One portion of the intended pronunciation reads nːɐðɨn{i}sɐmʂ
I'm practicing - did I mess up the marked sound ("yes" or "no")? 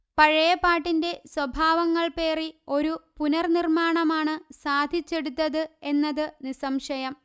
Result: no